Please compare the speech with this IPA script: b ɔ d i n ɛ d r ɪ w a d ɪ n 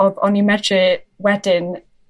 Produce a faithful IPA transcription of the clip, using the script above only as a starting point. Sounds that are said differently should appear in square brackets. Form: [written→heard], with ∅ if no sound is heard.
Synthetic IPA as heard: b ɔ [d→n] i [n→m] ɛ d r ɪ w [a→ɛ] d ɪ n